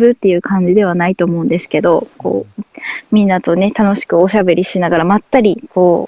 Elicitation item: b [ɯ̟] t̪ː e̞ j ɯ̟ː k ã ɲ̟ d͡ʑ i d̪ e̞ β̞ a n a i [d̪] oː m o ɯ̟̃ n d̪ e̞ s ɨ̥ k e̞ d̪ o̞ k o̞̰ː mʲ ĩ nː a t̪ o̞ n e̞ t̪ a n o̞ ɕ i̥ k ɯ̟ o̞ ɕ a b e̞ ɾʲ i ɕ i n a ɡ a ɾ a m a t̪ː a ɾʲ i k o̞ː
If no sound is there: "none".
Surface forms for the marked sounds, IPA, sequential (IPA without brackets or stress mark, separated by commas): ɯ̟, t̪